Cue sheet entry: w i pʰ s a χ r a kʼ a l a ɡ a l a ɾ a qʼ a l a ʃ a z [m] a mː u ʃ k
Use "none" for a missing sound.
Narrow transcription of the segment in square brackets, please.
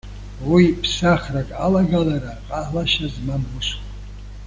m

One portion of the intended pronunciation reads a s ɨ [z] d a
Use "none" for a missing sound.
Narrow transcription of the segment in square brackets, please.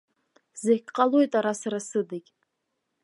none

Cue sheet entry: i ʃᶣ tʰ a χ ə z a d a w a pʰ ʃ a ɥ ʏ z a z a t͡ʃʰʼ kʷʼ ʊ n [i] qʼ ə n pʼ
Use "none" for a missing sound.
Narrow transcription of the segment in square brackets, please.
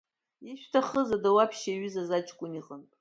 i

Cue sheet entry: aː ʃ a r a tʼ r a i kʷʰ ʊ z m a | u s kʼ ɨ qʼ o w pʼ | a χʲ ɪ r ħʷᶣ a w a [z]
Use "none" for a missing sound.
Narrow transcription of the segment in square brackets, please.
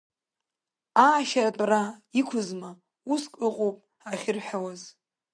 z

